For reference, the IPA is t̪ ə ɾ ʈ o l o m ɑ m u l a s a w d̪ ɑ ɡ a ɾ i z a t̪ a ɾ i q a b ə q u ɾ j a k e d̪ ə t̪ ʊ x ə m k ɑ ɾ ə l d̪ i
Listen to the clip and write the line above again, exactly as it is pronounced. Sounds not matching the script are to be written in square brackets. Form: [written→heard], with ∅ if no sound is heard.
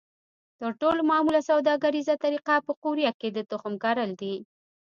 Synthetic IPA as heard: t̪ ə ɾ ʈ o l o m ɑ m u l a s a w d̪ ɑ ɡ a ɾ i z a t̪ a ɾ i q a [b→p] ə q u ɾ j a k e d̪ ə t̪ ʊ x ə m k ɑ ɾ ə l d̪ i